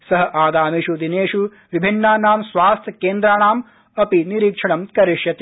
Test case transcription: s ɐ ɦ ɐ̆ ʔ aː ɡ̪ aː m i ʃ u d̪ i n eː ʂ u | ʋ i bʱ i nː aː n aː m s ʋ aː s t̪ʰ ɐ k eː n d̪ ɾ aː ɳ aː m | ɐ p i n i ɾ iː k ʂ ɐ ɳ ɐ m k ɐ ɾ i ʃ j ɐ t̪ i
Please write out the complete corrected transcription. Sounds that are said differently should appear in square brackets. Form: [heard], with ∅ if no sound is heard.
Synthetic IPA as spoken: s ɐ ɦ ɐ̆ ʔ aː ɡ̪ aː m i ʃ u d̪ i n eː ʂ u | ʋ i bʱ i nː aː n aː m s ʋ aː s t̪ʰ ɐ k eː n d̪ ɾ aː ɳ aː m | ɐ p i n i ɾ iː k ʂ ɐ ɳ ɐ m k ɐ ɾ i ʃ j ɐ t̪ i